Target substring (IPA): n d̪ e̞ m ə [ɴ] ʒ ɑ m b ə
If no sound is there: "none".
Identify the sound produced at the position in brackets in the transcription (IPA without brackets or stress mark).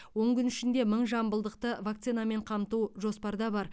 ɴ